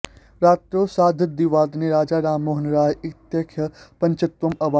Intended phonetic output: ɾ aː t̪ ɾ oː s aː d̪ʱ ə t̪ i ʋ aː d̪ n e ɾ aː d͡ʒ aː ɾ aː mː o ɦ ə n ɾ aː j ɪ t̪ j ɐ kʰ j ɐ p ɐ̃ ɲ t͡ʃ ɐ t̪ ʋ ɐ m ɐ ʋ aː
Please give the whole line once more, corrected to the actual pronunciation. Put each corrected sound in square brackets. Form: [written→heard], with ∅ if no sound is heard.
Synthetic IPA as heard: ɾ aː t̪ ɾ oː s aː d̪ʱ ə [t̪→d̪] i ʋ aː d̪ n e ɾ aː d͡ʒ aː ɾ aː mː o ɦ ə n ɾ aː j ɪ t̪ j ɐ kʰ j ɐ p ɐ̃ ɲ t͡ʃ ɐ t̪ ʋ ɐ m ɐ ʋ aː